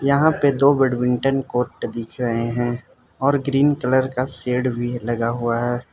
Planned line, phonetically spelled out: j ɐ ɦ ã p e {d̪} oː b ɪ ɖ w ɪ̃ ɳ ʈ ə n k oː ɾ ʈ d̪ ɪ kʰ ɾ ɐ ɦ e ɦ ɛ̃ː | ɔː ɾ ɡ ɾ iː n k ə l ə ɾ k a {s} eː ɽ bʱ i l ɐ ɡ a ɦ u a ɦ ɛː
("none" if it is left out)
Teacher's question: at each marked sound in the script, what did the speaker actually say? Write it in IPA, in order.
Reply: d̪, s

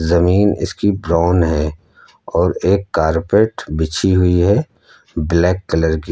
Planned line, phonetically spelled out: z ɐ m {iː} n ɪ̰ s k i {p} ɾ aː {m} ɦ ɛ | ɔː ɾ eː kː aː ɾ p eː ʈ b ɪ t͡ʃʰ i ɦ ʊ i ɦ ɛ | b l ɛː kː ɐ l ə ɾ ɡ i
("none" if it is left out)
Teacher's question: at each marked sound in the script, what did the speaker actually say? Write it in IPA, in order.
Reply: iː, b, n

